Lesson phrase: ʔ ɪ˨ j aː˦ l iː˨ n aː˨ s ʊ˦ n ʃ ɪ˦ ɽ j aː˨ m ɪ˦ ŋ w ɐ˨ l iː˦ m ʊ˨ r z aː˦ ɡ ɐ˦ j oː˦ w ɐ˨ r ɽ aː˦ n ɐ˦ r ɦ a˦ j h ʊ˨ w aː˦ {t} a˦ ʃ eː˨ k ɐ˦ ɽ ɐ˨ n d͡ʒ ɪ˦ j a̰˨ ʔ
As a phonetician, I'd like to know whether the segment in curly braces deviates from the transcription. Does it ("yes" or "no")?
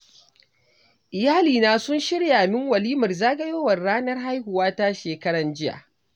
no